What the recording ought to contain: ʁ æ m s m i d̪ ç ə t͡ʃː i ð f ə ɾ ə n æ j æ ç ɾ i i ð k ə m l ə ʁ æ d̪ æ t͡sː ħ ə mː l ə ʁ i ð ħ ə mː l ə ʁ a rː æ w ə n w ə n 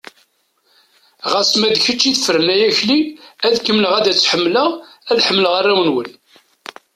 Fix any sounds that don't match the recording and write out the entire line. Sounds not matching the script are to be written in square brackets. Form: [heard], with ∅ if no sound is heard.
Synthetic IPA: ʁ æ [∅] s m [æ] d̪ ç ə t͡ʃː i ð f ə ɾ ə n æ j æ ç [l] i [æ] ð k ə m l ə ʁ æ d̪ æ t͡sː ħ ə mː l ə ʁ [æ] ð ħ ə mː l ə ʁ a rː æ w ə n w ə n